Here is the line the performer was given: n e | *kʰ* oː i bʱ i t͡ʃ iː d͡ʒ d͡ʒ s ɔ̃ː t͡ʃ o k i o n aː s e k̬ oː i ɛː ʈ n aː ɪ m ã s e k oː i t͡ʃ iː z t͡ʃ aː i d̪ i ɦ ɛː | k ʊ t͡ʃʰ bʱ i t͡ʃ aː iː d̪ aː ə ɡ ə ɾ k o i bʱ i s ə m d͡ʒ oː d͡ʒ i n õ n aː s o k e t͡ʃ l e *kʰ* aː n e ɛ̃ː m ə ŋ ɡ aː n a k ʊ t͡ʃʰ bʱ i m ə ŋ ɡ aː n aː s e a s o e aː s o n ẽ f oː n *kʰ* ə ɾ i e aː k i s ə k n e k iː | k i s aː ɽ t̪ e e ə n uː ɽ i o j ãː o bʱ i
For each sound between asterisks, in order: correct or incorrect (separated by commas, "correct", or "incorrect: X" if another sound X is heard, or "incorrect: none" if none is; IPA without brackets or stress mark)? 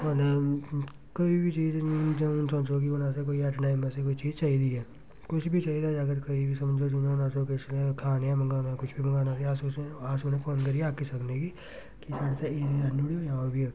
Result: incorrect: k, correct, incorrect: k